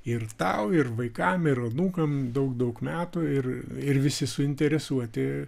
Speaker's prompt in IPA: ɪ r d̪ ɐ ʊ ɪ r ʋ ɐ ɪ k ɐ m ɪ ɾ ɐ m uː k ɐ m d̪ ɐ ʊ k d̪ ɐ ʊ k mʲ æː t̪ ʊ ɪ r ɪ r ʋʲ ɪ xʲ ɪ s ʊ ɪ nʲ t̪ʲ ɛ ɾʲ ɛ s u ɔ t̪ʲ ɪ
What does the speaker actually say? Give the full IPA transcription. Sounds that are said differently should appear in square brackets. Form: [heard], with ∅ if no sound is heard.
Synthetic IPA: ɪ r [t̪] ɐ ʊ ɪ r ʋ ɐ ɪ k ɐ m ɪ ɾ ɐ [n] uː k ɐ m d̪ ɐ ʊ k d̪ ɐ ʊ k mʲ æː t̪ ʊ ɪ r ɪ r ʋʲ ɪ [sʲ] ɪ s ʊ ɪ nʲ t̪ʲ ɛ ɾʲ ɛ s u ɔ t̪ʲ ɪ